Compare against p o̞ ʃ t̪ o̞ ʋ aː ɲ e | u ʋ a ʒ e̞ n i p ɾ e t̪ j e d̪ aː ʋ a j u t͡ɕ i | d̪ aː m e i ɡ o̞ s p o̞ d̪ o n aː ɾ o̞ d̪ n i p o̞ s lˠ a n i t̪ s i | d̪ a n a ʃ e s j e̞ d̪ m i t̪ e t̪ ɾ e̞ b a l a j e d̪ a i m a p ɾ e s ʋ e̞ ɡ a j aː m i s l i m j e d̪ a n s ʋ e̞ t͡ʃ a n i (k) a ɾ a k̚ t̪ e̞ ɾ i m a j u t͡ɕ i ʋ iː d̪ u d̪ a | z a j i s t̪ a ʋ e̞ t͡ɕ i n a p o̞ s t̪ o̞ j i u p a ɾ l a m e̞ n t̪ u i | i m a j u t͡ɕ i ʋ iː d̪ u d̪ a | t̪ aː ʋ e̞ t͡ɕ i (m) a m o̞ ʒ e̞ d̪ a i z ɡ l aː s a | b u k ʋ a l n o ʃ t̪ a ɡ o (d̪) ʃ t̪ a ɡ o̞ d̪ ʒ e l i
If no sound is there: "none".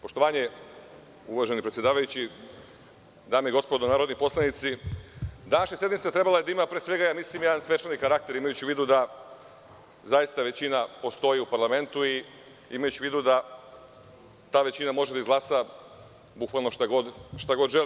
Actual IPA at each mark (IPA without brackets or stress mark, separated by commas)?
k, n, d̪